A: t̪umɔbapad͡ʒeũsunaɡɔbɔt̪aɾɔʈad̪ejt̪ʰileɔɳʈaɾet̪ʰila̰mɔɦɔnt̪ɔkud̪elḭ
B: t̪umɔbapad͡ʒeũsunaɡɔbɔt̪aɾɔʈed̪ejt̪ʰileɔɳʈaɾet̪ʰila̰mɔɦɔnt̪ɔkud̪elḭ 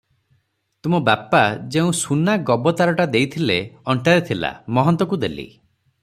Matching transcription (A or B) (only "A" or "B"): A